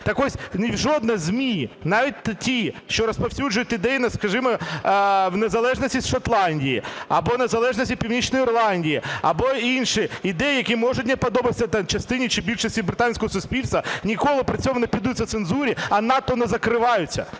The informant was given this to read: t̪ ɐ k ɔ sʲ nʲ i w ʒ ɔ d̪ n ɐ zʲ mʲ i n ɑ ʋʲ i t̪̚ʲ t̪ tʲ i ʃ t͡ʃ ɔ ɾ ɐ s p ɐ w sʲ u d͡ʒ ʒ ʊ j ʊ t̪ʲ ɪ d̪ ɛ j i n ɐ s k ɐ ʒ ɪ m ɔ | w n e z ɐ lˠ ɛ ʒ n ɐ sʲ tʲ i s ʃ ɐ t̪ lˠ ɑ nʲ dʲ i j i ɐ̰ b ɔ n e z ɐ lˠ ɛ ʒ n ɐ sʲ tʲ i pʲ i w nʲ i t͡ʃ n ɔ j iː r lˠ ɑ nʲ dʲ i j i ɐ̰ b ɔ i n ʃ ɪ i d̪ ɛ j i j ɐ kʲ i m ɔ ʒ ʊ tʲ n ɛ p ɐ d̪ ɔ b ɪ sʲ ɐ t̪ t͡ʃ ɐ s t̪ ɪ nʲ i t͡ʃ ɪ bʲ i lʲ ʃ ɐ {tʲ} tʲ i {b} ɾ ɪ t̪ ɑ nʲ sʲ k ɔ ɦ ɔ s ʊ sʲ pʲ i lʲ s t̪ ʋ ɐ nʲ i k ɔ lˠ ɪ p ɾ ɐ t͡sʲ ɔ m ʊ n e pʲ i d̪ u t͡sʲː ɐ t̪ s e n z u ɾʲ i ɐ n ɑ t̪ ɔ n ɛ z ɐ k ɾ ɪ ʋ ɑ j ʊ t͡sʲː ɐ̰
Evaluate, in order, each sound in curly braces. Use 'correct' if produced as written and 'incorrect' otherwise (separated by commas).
incorrect, correct